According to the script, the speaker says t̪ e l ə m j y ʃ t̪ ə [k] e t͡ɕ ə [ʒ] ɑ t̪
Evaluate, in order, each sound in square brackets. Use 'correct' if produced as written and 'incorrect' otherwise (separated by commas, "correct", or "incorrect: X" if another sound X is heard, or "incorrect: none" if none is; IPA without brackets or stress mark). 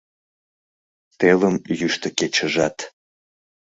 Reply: correct, correct